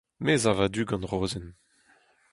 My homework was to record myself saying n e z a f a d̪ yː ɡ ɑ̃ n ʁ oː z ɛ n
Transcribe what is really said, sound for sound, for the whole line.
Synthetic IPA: m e z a v a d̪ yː ɡ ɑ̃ n ʁ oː z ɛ n